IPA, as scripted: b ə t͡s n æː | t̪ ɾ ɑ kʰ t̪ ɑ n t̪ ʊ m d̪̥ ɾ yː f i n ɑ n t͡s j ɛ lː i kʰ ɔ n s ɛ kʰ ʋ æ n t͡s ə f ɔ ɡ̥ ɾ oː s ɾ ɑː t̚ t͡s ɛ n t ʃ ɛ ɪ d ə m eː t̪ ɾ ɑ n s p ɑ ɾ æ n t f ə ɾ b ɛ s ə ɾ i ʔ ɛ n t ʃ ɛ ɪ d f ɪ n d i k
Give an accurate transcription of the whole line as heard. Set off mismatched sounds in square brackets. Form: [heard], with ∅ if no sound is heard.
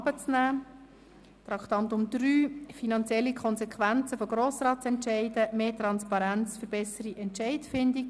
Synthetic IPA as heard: b ə t͡s n æː | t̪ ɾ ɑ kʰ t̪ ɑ n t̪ ʊ m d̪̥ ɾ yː f i n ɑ n t͡s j ɛ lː i kʰ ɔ n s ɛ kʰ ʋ æ n t͡s ə f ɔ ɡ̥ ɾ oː s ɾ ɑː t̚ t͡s ɛ n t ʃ ɛ ɪ d ə m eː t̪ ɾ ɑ n s p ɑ ɾ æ n [t͡s] f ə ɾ b ɛ s ə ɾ i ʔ ɛ n t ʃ ɛ ɪ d f ɪ n d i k